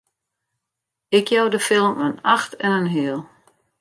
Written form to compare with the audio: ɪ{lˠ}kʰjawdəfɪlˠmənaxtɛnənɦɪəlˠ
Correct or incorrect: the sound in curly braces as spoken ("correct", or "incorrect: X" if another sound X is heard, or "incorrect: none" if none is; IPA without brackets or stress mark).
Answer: incorrect: none